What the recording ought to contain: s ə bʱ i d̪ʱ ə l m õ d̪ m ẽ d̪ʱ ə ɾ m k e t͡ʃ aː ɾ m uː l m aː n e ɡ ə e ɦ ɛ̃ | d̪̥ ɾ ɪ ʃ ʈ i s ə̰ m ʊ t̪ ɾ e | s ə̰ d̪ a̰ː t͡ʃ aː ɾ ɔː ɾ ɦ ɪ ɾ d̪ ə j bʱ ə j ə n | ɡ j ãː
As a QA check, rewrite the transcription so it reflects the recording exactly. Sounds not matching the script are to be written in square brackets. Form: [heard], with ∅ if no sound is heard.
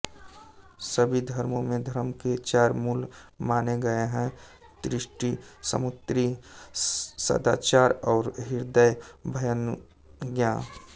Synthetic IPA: s ə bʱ i d̪ʱ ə [ɾ] m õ [∅] m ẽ d̪ʱ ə ɾ m k e t͡ʃ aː ɾ m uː l m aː n e ɡ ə e ɦ ɛ̃ | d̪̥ ɾ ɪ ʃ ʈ i s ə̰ m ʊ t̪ ɾ [i] | s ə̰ d̪ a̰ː t͡ʃ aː ɾ ɔː ɾ ɦ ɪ ɾ d̪ ə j bʱ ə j ə n | ɡ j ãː